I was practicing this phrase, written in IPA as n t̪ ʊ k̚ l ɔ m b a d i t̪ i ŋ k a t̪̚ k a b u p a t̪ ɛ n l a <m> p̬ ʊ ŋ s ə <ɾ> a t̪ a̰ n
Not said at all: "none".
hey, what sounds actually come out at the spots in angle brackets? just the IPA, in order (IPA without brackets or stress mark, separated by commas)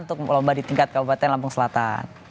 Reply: m, l